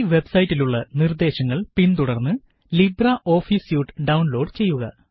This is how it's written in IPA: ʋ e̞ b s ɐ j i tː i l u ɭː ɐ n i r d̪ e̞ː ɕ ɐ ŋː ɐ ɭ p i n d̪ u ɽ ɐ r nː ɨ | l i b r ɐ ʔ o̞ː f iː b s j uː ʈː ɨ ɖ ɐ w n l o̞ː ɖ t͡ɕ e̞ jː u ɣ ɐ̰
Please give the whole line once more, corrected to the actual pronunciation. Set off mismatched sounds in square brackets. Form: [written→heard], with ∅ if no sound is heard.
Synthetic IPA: ʋ e̞ b s ɐ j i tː i l u ɭː ɐ n i r d̪ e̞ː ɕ ɐ ŋː ɐ ɭ p i n [d̪→t̪] u ɽ ɐ r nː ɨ | l i b r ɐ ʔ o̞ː f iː [b→∅] s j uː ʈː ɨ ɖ ɐ w n l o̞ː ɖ t͡ɕ e̞ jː u ɣ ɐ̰

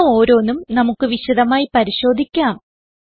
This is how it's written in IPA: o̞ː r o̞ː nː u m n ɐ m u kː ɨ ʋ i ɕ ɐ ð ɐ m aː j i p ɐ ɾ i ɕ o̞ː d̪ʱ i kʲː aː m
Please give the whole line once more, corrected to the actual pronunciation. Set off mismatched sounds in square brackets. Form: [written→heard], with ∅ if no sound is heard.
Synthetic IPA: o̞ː [r→ɾ] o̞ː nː u m n ɐ m u kː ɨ ʋ i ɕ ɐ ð ɐ m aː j i p ɐ ɾ i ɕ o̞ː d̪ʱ i kʲː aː m

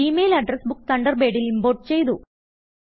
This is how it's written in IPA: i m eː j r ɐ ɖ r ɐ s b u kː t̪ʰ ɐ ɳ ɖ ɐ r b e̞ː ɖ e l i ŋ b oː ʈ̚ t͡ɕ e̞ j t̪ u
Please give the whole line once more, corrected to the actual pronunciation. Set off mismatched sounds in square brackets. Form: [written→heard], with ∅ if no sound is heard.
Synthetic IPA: i m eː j [r→l] ɐ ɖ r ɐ s b u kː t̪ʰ ɐ ɳ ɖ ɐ r b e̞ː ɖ [e→i] l i [ŋ→m] b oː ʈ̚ t͡ɕ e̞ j t̪ u

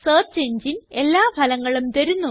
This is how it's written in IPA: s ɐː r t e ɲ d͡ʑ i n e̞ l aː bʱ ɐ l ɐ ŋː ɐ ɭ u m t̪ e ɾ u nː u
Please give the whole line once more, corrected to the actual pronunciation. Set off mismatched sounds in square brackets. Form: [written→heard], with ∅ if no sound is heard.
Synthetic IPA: s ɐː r [t→t͡ɕ] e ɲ d͡ʑ i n e̞ [l→lː] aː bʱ ɐ l ɐ ŋː ɐ ɭ u m t̪ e ɾ u nː u

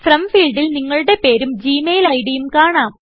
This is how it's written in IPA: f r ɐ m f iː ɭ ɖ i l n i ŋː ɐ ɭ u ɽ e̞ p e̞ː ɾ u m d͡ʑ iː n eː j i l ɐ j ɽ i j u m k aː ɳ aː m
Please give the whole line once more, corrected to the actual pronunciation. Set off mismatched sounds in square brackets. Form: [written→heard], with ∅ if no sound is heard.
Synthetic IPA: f r ɐ m f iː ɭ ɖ i l n i ŋː ɐ ɭ u ɽ e̞ p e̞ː ɾ u m d͡ʑ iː [n→m] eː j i l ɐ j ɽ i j u m k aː ɳ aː m

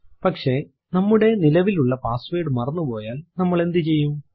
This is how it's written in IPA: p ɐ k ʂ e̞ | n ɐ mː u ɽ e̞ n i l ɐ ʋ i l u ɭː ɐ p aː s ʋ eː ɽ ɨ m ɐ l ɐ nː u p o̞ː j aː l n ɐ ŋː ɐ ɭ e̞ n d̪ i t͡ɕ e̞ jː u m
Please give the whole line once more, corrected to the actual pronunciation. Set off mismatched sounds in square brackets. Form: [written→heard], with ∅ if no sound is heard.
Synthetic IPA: p ɐ k ʂ e̞ | n ɐ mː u ɽ e̞ n i l ɐ ʋ i l u ɭː ɐ p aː s ʋ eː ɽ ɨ m ɐ [l→r] ɐ nː u p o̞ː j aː l n ɐ [ŋː→mː] ɐ ɭ e̞ n d̪ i t͡ɕ e̞ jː u m

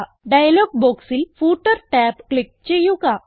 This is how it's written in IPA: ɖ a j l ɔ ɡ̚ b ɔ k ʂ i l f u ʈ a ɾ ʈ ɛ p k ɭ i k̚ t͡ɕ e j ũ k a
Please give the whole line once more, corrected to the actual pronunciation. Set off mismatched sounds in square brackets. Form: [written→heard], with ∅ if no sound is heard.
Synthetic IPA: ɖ a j l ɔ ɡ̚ b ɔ k [ʂ→s] i l f u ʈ [a→ə] ɾ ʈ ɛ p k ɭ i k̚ t͡ɕ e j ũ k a

